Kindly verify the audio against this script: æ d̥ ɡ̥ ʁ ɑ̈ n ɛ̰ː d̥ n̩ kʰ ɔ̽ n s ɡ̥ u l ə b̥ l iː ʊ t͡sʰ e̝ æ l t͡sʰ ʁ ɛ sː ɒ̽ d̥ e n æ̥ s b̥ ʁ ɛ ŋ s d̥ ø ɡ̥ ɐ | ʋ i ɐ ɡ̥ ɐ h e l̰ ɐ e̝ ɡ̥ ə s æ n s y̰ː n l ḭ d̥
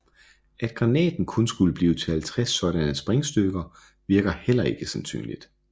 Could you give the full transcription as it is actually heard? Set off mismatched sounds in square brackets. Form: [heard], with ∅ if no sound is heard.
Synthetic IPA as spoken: æ d̥ ɡ̥ ʁ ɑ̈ n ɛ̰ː d̥ n̩ kʰ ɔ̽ n s ɡ̥ u l ə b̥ l iː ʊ t͡sʰ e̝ æ l t͡sʰ ʁ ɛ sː ɒ̽ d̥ [æ] n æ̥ s b̥ ʁ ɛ ŋ s d̥ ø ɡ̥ ɐ | ʋ i ɐ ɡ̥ ɐ h e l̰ ɐ e̝ ɡ̥ ə s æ n s y̰ː n l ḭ d̥